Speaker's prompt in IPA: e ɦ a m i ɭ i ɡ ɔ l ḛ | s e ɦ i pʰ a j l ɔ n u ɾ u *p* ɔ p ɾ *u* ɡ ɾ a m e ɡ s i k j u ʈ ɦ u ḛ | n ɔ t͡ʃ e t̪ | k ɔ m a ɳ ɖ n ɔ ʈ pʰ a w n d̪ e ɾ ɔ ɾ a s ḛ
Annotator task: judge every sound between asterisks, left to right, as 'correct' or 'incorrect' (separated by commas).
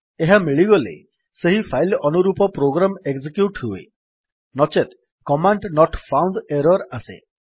correct, incorrect